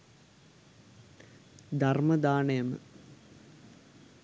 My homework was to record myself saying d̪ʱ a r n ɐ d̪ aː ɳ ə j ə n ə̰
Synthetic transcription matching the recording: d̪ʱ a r m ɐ d̪ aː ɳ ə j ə m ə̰